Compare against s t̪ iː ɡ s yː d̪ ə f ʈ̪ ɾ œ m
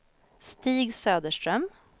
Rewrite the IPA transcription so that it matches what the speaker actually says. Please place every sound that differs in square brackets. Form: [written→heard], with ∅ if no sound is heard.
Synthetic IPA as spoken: s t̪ iː ɡ s [yː→øː] d̪ ə [f→ʂ] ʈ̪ ɾ œ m

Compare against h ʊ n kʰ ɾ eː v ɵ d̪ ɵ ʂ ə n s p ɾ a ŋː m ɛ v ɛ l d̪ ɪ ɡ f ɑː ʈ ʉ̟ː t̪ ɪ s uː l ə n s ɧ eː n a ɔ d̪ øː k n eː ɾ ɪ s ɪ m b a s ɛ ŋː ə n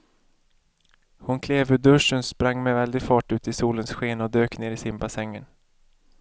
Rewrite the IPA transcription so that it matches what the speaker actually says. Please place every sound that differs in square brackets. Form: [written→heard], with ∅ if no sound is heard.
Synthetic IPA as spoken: h ʊ n kʰ [ɾ→l] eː v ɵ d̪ ɵ ʂ ə n s p ɾ a ŋː m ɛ v ɛ l d̪ ɪ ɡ f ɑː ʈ ʉ̟ː t̪ ɪ s uː l ə n s ɧ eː n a ɔ d̪ øː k n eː ɾ ɪ s ɪ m b a s ɛ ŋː ə n

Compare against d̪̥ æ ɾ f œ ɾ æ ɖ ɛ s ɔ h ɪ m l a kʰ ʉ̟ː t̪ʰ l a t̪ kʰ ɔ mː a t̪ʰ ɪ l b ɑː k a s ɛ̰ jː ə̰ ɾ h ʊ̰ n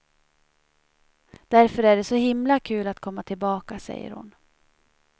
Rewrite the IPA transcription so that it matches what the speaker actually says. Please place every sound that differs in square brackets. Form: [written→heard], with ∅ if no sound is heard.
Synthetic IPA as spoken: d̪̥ æ ɾ f œ ɾ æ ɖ ɛ s ɔ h ɪ m l a kʰ ʉ̟ː [t̪ʰ→∅] l a t̪ kʰ ɔ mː a t̪ʰ ɪ l b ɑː k a s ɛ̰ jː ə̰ ɾ h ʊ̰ n

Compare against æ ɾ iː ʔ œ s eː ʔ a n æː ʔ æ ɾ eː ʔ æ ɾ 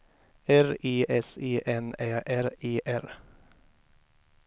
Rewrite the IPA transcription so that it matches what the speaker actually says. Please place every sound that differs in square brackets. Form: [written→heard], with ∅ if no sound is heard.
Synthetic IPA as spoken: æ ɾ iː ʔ [œ→ɛ] s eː ʔ [a→ɛ] n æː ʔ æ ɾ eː ʔ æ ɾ

